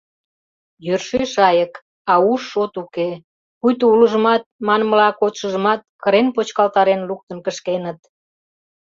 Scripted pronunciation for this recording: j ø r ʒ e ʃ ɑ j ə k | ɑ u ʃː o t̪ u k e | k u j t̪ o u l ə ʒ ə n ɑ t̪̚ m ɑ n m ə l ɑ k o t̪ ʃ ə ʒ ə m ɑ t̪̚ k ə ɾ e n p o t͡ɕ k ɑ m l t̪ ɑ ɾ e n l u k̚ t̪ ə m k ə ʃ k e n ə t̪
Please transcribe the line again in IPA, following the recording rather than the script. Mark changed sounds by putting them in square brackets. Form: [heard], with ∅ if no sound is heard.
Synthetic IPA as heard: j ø r [ʃ] e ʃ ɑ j ə k | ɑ u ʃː o t̪ u k e | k u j t̪ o u l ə ʒ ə [m] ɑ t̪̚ m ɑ n m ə l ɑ k o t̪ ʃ ə ʒ ə m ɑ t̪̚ k ə ɾ e n p o t͡ɕ k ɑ [∅] l t̪ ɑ ɾ e n l u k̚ t̪ ə [n] k ə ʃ k e n ə t̪

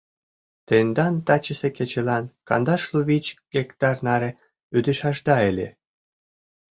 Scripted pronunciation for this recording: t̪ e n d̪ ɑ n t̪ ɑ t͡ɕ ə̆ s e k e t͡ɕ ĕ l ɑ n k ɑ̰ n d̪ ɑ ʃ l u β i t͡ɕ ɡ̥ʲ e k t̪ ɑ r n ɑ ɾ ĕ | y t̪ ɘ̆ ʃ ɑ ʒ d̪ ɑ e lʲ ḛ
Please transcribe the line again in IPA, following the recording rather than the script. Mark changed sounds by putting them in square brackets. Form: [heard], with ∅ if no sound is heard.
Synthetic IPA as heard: t̪ e n d̪ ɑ n t̪ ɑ t͡ɕ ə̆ s e k e t͡ɕ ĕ l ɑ n k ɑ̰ n d̪ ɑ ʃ l u β i t͡ɕ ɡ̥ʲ e k t̪ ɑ r n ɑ ɾ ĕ | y [d̪] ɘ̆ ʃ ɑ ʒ d̪ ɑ e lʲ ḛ

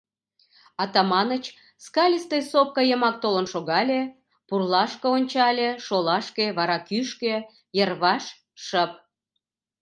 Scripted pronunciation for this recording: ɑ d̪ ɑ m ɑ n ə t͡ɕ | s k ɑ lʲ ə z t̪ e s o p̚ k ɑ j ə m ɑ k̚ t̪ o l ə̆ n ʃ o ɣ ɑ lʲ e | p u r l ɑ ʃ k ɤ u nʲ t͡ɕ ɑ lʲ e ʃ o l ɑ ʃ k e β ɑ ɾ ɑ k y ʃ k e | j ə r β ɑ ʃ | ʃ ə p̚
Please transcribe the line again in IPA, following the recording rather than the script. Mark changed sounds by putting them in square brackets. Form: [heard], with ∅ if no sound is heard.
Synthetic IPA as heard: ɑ [t̪] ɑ m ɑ n ə t͡ɕ | s k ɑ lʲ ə [s] t̪ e s o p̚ k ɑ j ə m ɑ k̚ t̪ o l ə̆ n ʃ o ɣ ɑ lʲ e | p u r l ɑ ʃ k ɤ [o] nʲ t͡ɕ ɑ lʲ e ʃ o l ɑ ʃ k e β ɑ ɾ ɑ k y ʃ k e | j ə r β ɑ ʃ | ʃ ə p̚

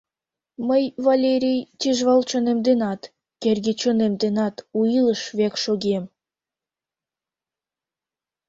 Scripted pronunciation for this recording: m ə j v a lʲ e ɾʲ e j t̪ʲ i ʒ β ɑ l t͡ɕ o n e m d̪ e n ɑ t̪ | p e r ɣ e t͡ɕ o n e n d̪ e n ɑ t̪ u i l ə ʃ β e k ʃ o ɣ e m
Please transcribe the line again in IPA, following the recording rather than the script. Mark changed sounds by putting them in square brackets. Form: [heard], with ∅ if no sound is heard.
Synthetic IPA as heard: m ə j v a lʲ e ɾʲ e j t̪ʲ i ʒ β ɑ l t͡ɕ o n e m d̪ e n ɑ t̪ | [k] e r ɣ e t͡ɕ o n e [m] d̪ e n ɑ t̪ u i l ə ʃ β e k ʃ o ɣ e m

